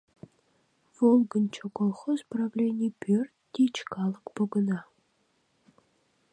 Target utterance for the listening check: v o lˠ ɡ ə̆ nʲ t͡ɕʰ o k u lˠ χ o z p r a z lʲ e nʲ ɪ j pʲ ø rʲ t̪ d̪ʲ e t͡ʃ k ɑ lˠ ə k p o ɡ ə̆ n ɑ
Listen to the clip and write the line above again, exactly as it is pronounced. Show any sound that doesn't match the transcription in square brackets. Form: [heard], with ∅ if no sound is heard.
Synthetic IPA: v o lˠ ɡ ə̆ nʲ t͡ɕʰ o k [o] lˠ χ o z p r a [v] lʲ e nʲ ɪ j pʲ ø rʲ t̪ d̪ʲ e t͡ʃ k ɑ lˠ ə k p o ɡ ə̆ n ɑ